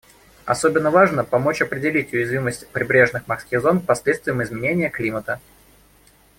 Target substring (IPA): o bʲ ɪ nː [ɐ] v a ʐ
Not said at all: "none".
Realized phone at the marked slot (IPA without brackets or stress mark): ə